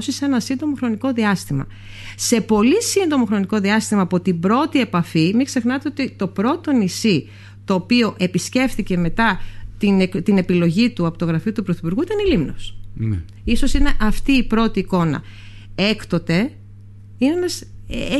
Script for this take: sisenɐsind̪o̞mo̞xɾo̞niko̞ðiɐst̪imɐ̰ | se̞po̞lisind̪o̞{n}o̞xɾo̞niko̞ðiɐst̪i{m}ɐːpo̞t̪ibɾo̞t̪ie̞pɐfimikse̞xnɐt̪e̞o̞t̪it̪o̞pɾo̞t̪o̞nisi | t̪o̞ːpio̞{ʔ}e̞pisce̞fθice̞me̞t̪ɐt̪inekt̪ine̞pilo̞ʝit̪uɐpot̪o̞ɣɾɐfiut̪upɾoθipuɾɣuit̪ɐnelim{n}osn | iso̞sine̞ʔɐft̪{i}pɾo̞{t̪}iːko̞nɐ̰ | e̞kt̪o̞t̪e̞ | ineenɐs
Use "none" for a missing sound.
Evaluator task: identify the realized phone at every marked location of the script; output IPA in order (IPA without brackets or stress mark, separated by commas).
m, m, ʔ, n, iː, t̪